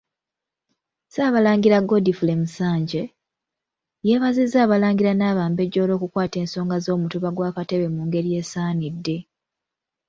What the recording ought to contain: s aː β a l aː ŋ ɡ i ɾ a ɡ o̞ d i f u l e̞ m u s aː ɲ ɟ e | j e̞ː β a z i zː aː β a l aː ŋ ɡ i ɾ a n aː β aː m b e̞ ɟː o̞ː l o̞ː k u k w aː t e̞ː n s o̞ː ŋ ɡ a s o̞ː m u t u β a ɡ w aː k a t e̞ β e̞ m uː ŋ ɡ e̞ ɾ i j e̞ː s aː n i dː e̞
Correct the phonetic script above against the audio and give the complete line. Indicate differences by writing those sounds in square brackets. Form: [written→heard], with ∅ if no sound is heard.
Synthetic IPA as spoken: s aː β a l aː ŋ ɡ i ɾ a ɡ o̞ d i f u l e̞ m u s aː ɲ ɟ e | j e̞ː β a z i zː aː β a l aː ŋ ɡ i ɾ a n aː β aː m b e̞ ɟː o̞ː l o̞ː k u k w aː t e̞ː n s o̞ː ŋ ɡ a [s→z] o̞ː m u t u β a ɡ w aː k a t e̞ β e̞ m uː ŋ ɡ e̞ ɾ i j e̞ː s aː n i dː e̞

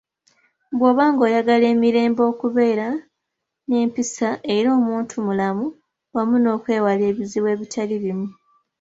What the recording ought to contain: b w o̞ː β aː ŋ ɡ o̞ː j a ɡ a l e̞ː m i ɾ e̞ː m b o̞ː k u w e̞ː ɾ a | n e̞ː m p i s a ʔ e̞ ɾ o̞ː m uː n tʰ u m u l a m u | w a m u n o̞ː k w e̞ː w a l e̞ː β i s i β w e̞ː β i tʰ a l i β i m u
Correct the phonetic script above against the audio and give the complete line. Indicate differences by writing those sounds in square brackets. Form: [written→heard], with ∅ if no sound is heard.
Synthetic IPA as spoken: b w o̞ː β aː ŋ ɡ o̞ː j a ɡ a l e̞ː m i ɾ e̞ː m b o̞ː k u [w→β] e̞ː ɾ a | n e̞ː m p i s a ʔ e̞ ɾ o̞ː m uː n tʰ u m u l a m u | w a m u n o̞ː k w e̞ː w a l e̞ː β i [s→z] i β w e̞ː β i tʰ a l i β i m u

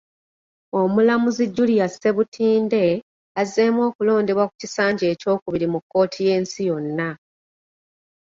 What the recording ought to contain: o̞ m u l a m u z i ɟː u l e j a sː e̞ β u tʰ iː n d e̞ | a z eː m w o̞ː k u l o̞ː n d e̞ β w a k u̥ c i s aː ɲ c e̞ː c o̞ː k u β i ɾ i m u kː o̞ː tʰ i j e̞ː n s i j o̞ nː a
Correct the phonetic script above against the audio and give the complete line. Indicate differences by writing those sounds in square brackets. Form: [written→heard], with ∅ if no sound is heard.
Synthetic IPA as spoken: o̞ m u l a m u z i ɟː u l [e→i] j a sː e̞ β u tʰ iː n d e̞ | a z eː m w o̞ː k u l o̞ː n d e̞ β w a k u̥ c i s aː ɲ [c→ɟ] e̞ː c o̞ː k u β i ɾ i m u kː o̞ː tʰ i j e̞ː n s i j o̞ nː a

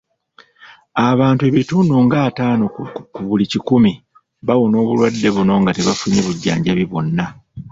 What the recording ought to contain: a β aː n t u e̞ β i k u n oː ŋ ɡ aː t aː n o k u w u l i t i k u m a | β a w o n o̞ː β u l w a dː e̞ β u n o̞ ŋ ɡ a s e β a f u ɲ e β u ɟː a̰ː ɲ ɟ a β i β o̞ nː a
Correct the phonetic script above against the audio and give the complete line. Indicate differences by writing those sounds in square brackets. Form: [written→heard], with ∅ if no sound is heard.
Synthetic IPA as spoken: a β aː n t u e̞ β i [k→t] u n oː ŋ ɡ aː t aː n o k u [w→β] u l i [t→c] i k u m [a→i] | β a w o n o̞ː β u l w a dː e̞ β u n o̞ ŋ ɡ a [s→t] e β a f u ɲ e β u ɟː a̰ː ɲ ɟ a β i β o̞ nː a

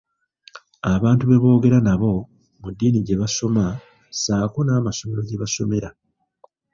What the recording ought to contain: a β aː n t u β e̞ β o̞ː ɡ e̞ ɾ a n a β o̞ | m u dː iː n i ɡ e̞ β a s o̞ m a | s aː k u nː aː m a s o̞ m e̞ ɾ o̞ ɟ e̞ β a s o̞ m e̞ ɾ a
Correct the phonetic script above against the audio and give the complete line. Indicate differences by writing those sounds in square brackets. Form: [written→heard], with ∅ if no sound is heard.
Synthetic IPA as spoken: a β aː n t u β e̞ β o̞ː ɡ e̞ ɾ a n a β o̞ | m u dː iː n i [ɡ→ɟ] e̞ β a s o̞ m a | s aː k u [nː→n] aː m a s o̞ m e̞ ɾ o̞ ɟ e̞ β a s o̞ m e̞ ɾ a

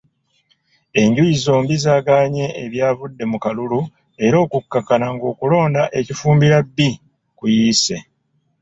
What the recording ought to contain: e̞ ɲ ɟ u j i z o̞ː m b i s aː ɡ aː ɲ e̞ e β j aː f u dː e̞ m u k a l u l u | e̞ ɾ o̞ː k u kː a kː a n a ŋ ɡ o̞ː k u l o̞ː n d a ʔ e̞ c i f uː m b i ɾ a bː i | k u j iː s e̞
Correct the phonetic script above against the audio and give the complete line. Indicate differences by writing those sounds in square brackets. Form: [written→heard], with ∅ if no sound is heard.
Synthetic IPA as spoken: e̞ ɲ ɟ u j i z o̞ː m b i [s→z] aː ɡ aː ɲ e̞ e β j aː [f→v] u dː e̞ m u k a l u l u | e̞ ɾ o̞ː k u kː a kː a n a ŋ ɡ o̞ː k u l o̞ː n d a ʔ e̞ c i f uː m b i ɾ a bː i | k u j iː s e̞

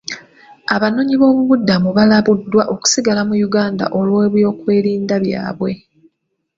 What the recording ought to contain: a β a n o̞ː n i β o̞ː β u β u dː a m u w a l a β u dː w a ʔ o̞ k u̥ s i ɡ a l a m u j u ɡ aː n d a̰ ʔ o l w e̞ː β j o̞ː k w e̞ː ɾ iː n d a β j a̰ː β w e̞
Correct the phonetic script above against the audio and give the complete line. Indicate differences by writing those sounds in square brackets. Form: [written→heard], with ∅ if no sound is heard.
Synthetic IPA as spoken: a β a n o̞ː [n→ɲ] i β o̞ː β u β u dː a m u [w→β] a l a β u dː w a ʔ o̞ k u̥ s i ɡ a l a m u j u ɡ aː n d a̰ ʔ o l w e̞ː β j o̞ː k w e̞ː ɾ iː n d a β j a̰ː β w e̞

